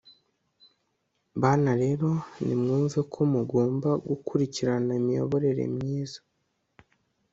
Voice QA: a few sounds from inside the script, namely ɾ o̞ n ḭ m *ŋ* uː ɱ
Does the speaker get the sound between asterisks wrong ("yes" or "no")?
no